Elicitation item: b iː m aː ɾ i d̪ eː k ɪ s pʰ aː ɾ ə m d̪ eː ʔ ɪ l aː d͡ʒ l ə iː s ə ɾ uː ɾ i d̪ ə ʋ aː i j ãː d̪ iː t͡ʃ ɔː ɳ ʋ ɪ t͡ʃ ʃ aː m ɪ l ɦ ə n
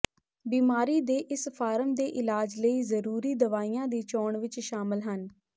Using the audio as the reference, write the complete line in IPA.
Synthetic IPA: b iː m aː ɾ iː d̪ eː ʔ ɪ s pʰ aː ɾ ə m d̪ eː ʔ ɪ l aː d͡ʒ l ə iː z ə ɾ uː ɾ iː d̪ ə ʋ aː i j ãː d̪ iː t͡ʃ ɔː ɳ ʋ ɪ t͡ʃ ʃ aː m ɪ l ɦ ə n